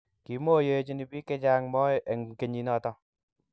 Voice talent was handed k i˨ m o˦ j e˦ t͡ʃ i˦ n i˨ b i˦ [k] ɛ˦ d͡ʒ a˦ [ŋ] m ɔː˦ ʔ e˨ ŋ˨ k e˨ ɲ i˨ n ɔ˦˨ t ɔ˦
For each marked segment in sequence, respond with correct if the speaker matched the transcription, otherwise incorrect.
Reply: correct, correct

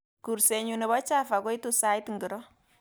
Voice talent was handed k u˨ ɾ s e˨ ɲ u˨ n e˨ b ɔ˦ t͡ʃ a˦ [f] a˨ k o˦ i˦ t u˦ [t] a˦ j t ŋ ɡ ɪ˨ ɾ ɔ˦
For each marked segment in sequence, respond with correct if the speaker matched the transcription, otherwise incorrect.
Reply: correct, incorrect

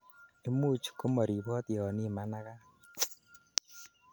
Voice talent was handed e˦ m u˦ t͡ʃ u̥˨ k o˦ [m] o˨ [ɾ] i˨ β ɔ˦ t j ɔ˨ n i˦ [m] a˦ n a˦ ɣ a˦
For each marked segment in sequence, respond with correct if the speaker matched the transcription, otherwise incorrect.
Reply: correct, correct, correct

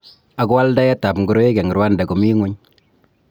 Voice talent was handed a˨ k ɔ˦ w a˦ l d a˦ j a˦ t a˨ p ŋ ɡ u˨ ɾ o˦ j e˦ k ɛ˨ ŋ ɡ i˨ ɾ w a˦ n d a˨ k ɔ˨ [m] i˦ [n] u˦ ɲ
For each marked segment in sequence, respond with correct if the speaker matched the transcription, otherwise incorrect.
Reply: correct, incorrect

